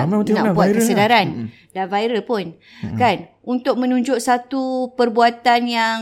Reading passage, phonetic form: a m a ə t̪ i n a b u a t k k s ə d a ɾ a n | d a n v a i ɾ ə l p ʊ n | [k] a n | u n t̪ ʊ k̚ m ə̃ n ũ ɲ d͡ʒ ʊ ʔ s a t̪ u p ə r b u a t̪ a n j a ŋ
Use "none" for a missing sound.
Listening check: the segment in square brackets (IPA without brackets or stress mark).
k